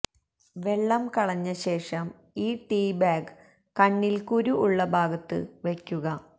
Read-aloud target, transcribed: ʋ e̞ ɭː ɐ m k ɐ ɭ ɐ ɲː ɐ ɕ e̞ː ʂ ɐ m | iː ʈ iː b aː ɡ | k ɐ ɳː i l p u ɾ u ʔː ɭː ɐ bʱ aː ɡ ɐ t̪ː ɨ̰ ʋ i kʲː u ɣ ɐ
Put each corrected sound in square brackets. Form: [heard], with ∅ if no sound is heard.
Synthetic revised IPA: ʋ e̞ ɭː ɐ m k ɐ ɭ ɐ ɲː ɐ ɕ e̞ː ʂ ɐ m | iː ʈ iː b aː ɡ | k ɐ ɳː i l [k] u ɾ u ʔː ɭː ɐ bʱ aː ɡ ɐ t̪ː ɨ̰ ʋ [e] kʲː u ɣ ɐ